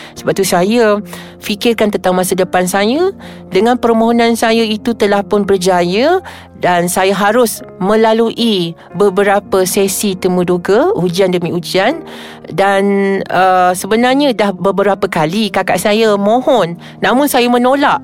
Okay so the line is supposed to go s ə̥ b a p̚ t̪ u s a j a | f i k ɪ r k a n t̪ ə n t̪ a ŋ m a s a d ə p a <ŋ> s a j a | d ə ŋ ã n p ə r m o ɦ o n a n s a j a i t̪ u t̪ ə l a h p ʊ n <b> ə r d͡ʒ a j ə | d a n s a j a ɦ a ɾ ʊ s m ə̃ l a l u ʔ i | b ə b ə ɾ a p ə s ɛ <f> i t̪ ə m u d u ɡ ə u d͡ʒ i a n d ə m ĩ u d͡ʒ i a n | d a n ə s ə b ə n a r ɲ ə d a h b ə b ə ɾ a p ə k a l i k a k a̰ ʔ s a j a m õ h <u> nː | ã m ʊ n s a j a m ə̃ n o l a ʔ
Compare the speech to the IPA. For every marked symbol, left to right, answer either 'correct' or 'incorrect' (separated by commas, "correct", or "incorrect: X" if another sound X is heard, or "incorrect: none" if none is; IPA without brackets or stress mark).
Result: incorrect: n, correct, incorrect: s, incorrect: ɔ